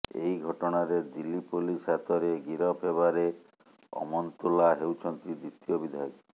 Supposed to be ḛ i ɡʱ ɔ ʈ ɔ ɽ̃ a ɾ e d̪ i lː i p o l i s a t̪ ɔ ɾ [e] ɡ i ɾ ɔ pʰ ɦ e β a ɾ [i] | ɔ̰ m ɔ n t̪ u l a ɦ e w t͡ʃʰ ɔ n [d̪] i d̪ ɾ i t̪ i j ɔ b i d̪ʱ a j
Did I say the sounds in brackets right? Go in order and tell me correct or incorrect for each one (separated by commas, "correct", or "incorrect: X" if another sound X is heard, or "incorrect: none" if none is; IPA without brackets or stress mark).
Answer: correct, incorrect: e, incorrect: t̪